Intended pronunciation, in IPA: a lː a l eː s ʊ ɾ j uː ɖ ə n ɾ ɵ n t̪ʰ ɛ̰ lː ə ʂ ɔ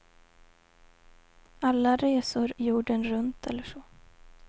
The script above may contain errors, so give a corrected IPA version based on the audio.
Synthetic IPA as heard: a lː a ɾ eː s ʊ ɾ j uː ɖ ə n ɾ ɵ n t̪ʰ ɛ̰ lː ə ʂ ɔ